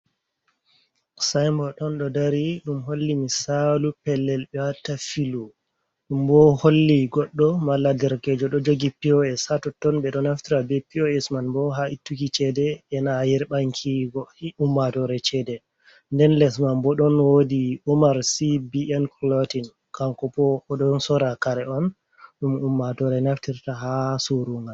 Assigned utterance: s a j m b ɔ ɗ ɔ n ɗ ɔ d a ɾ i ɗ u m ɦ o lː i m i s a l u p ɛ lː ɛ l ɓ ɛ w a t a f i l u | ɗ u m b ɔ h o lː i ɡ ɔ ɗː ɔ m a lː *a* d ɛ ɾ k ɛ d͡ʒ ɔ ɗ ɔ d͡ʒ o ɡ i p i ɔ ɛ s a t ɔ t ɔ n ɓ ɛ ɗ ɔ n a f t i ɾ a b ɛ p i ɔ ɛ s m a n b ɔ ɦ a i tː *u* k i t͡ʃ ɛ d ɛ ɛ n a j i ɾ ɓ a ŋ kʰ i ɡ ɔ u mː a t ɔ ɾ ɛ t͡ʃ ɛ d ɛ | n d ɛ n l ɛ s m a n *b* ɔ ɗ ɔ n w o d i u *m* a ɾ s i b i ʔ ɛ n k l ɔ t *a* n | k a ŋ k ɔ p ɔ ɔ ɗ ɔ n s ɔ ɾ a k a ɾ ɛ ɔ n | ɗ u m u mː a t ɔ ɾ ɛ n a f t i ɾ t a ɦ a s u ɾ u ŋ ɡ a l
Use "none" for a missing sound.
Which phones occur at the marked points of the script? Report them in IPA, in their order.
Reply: a, u, b, m, i

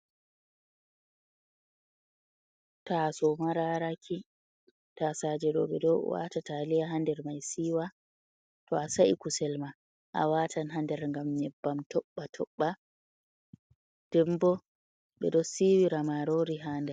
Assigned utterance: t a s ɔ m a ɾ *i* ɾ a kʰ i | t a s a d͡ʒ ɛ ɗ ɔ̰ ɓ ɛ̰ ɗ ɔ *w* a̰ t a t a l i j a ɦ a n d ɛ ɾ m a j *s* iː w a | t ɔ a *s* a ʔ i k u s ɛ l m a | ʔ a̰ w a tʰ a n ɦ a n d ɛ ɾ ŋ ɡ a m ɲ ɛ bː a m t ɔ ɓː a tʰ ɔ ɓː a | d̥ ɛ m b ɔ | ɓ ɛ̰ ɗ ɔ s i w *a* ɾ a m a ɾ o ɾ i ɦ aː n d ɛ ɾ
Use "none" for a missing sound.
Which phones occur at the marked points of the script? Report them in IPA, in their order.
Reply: a, w, s, s, i

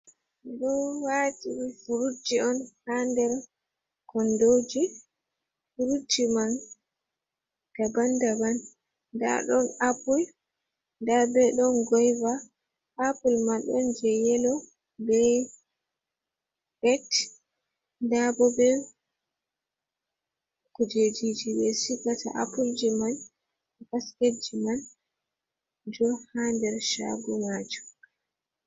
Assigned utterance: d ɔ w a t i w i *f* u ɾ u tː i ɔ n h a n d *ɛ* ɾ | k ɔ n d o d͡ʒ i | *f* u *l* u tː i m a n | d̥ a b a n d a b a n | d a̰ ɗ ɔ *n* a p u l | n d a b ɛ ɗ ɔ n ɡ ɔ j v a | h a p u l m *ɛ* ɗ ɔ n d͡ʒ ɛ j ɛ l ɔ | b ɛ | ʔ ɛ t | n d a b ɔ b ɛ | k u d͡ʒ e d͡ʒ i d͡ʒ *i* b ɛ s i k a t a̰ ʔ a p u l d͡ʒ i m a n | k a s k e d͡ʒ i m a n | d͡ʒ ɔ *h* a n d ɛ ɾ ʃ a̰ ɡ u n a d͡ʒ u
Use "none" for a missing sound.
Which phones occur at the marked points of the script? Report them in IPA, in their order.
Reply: f, ɛ, f, ɾ, n, a, i, h

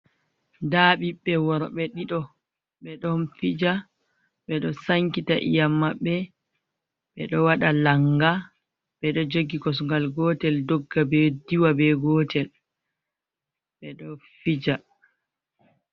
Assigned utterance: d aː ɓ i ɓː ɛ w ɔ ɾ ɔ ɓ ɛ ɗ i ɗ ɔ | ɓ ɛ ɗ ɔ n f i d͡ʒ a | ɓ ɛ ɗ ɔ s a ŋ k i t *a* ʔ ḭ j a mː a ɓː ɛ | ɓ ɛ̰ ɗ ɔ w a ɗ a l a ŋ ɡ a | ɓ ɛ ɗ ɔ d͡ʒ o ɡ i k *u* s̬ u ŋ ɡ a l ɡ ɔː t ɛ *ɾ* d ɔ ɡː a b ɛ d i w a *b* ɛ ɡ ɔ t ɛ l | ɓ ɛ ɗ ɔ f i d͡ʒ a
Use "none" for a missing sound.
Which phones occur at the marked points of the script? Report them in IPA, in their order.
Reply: a, ɔ, l, b

